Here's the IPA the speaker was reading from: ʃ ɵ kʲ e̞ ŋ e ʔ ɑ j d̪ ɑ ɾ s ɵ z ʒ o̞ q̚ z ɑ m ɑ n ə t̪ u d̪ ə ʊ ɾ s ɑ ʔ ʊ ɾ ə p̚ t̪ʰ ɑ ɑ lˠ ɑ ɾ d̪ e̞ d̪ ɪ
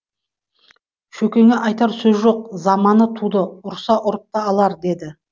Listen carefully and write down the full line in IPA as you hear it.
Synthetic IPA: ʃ ɵ kʲ e̞ ŋ e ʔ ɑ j t̪ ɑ ɾ s ɵ z ʒ o̞ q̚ z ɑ m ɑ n ə t̪ʰ u d̪ ə ʊ ɾ s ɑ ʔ ʊ ɾ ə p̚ t̪ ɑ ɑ lˠ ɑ ɾ d̪ e̞ d̪ ɪ